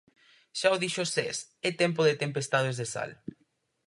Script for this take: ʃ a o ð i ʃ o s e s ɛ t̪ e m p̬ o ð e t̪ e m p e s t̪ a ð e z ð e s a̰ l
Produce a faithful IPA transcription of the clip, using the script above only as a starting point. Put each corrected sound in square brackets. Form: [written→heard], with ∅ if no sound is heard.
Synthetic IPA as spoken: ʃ a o ð i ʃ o s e s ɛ t̪ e m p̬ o ð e t̪ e m p e s t̪ a ð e z ð e s a̰ l

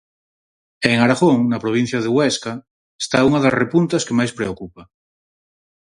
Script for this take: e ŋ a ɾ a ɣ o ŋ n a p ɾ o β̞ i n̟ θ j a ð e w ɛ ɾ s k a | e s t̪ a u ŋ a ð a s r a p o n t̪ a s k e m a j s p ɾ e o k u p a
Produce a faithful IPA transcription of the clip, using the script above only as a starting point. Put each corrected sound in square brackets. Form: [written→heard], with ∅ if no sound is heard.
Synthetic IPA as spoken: e ŋ a ɾ a ɣ o ŋ n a p ɾ o β̞ i n̟ θ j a ð e w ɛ [ɾ→∅] s k a | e s t̪ a u ŋ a ð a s r [a→e] p [o→u] n t̪ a s k e m a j s p ɾ e o k u p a

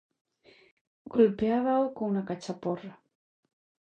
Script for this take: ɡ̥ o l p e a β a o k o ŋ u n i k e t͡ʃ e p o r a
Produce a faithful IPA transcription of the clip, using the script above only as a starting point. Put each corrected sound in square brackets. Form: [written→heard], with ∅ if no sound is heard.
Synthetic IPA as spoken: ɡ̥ o l p e a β a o k o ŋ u n [i→a] k [e→a] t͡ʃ [e→a] p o r a

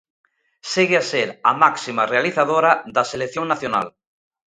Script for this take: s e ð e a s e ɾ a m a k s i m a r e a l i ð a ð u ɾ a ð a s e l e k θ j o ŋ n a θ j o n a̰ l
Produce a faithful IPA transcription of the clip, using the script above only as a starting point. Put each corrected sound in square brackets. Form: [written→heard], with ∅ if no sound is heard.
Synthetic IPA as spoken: s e [ð→ɣ] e a s e ɾ a m a k s i m a r e a l i [ð→θ] a ð [u→o] ɾ a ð a s e l e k θ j o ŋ n a θ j o n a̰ l

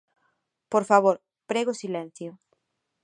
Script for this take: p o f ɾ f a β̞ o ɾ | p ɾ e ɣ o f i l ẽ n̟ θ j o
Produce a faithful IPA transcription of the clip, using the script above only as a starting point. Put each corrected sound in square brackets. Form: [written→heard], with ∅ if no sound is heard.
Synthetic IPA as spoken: p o [f→∅] ɾ f a β̞ o ɾ | p ɾ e ɣ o [f→s] i l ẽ n̟ θ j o

